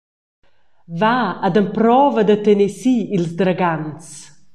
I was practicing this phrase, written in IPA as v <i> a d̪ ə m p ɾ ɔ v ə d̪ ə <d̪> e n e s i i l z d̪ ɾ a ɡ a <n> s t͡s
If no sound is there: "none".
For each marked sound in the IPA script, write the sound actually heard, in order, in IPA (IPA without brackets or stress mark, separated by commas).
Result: a, t̪, n